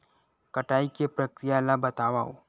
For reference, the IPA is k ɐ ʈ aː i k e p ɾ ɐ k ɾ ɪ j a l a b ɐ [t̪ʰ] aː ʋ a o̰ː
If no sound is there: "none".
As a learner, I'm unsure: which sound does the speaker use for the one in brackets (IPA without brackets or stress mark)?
t̪